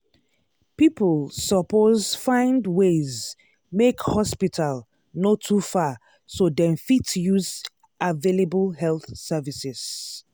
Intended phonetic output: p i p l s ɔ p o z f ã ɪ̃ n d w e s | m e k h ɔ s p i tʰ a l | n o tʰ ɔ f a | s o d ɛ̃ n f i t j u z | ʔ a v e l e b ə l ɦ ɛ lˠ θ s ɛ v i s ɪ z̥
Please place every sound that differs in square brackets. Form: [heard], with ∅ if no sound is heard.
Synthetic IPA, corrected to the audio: p i p l s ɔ p o z f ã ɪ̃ n d w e [z] | m e k h ɔ s p i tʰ a l | n o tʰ [u] f a | s o d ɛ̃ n f i t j u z | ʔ a v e l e b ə l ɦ ɛ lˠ θ s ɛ v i s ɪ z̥